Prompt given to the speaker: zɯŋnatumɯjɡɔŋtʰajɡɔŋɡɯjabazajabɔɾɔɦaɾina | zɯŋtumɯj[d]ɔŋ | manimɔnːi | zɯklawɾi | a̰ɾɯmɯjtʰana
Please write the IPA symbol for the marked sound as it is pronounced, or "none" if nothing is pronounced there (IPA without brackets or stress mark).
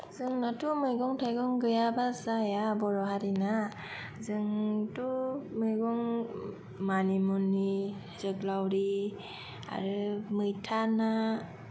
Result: ɡ